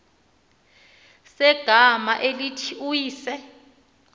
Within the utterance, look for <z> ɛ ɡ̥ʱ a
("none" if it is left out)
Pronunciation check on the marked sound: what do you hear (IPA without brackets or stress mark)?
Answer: s